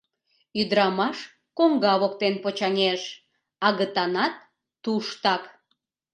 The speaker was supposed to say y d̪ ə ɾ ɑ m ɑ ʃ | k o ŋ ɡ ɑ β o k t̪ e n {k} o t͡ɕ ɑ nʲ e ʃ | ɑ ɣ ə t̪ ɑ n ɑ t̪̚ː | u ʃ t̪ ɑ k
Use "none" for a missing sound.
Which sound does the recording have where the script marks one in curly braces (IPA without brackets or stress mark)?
p